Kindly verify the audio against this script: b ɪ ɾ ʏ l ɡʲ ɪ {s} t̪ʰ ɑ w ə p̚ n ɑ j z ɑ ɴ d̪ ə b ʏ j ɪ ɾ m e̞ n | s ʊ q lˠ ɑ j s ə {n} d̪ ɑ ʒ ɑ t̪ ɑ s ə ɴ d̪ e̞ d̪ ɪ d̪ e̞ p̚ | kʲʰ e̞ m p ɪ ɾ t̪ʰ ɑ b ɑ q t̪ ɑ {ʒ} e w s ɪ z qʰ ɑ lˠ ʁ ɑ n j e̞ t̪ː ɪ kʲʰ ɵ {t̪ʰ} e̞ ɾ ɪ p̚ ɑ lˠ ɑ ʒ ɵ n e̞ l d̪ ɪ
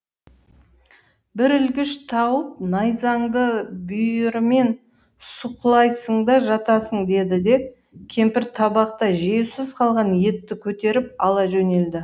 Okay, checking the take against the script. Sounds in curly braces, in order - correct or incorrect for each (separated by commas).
incorrect, incorrect, correct, incorrect